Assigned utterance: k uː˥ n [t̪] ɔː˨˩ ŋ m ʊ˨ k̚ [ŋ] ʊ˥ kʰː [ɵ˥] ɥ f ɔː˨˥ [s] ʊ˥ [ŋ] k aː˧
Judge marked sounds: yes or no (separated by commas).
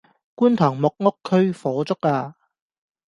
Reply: no, yes, yes, no, no